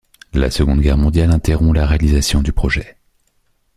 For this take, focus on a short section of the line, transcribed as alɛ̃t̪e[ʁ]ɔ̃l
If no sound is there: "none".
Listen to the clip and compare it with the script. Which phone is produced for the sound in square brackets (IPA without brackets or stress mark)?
ʁ